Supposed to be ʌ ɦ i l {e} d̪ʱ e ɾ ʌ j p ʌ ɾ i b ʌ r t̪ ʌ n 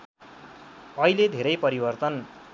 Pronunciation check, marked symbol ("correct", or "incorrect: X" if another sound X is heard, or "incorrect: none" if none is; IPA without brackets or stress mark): correct